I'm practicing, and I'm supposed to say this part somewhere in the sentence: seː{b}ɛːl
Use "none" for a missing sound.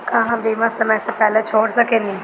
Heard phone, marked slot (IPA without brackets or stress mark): p